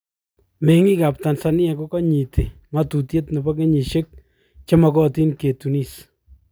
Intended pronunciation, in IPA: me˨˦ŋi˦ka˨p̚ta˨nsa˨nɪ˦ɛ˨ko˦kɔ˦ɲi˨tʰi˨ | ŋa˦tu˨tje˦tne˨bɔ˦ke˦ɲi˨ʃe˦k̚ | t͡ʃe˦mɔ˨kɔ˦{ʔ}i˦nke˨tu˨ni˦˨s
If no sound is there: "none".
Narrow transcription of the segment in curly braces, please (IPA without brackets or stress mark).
t